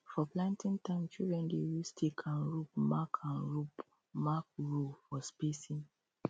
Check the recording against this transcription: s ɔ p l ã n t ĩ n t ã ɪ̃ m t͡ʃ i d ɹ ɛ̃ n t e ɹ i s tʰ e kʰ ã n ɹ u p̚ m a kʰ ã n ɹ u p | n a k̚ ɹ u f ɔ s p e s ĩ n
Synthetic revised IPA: f ɔ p l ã n t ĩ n t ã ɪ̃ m t͡ʃ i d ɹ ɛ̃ n d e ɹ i s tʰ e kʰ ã n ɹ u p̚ m a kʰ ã n ɹ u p | m a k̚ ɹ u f ɔ s p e s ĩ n